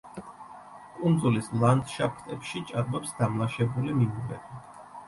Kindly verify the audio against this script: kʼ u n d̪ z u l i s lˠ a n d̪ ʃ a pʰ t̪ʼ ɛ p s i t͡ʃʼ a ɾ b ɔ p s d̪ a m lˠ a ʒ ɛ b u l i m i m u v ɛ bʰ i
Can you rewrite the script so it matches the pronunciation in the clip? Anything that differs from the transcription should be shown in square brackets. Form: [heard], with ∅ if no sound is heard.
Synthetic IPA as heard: kʼ u n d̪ z u l i s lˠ a n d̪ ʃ a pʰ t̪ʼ ɛ p [ʃ] i t͡ʃʼ a ɾ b ɔ p s d̪ a m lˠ a [ʃ] ɛ b u l i m i m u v ɛ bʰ i